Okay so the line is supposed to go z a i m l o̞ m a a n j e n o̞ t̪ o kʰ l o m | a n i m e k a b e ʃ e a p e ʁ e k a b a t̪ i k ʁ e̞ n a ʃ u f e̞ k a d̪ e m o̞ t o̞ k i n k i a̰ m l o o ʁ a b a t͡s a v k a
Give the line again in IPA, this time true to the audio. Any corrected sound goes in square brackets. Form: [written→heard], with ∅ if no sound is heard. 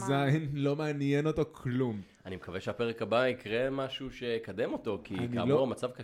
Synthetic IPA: z a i [m→n] l o̞ m [a→e] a n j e n o̞ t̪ o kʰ l [o→u] m | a n i m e k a [b→v] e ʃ e a p e ʁ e k a b a [t̪→∅] i k ʁ e̞ [n→m] a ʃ u [f→ʃ] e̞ k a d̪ e m o̞ t o̞ k i n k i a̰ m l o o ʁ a [b→m] a t͡s a v k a